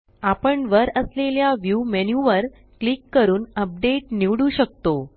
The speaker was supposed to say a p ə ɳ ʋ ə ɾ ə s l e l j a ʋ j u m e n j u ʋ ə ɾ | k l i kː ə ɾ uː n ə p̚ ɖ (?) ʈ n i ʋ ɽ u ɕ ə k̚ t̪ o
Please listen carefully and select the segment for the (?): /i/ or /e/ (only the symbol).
e